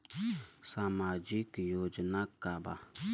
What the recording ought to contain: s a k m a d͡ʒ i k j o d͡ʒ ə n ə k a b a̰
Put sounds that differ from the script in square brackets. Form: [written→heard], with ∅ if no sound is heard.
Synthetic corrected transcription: s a [k→∅] m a d͡ʒ i k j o d͡ʒ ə n [ə→a] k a b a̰

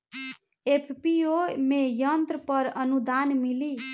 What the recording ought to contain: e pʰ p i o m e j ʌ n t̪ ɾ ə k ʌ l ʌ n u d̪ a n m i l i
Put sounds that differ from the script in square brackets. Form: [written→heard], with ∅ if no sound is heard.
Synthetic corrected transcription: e pʰ p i o m e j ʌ n t̪ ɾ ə [k→p] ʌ [l→ɾ] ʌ n u d̪ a n m i l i

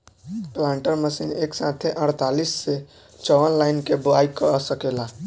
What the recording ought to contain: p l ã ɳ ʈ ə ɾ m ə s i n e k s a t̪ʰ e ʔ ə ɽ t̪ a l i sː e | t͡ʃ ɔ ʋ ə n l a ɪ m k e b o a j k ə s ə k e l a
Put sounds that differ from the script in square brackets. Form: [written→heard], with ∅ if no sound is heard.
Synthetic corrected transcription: p l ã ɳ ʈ ə ɾ m ə s i n e k s a t̪ʰ e ʔ ə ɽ t̪ a l i sː e | t͡ʃ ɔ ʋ ə n l a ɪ [m→n] k e b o a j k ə s ə k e l a

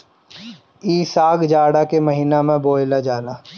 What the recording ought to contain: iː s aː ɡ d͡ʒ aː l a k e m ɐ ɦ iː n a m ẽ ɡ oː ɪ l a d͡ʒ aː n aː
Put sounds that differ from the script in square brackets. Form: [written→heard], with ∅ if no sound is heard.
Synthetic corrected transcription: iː s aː ɡ d͡ʒ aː [l→ɽ] a k e m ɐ ɦ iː n a m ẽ [ɡ→b] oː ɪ l a d͡ʒ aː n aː

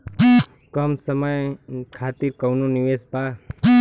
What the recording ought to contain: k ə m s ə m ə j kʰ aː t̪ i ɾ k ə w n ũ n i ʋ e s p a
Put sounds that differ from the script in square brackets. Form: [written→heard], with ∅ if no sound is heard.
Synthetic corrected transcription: k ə m s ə m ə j kʰ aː t̪ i ɾ k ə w n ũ n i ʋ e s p a

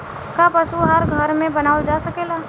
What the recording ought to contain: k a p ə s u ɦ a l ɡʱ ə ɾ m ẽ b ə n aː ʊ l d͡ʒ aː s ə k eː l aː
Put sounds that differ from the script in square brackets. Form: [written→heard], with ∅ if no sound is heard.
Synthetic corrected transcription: k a p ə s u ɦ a [l→ɾ] ɡʱ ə ɾ m ẽ b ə n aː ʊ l d͡ʒ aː s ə k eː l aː

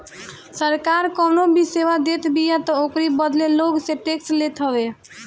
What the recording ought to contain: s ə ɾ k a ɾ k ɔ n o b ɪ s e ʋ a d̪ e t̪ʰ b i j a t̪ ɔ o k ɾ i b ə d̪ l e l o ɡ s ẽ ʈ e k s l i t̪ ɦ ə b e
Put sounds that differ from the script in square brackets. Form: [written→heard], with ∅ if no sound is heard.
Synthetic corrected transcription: s ə ɾ k a ɾ k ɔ n o b [ɪ→i] s e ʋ a d̪ e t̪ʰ b i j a t̪ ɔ o k ɾ i b ə d̪ l e l o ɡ s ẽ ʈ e k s l [i→e] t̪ ɦ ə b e

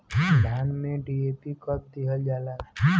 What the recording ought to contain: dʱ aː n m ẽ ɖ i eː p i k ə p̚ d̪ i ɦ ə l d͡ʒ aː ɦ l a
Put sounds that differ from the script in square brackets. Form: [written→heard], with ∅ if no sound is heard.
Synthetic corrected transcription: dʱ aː n m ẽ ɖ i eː p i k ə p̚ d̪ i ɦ ə l d͡ʒ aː [ɦ→∅] l a

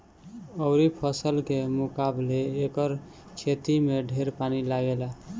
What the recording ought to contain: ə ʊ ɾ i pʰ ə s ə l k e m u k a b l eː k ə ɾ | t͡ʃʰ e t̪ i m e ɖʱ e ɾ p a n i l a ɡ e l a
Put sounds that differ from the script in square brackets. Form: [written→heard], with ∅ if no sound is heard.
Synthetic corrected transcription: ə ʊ ɾ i pʰ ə s ə l k e m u k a b l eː k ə ɾ | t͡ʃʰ e t̪ i m e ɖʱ e ɾ p a n i l a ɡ e l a

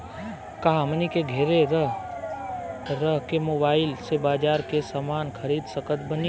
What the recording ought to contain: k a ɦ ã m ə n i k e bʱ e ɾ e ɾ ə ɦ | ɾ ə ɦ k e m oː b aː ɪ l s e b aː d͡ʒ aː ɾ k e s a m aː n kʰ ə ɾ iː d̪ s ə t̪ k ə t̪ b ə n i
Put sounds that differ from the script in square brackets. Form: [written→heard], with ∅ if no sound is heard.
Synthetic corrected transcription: k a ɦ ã m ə n i k e [bʱ→ɡʱ] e ɾ e ɾ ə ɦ | ɾ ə ɦ k e m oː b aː ɪ l s e b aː d͡ʒ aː ɾ k e s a m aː n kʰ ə ɾ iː d̪ s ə [t̪→∅] k ə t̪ b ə n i

